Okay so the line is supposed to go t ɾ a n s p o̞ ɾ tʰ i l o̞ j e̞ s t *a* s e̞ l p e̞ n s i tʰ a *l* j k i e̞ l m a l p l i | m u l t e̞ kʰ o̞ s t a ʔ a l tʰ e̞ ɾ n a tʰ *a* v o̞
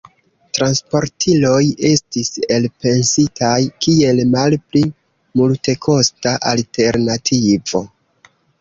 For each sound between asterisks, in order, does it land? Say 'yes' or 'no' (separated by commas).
no, no, no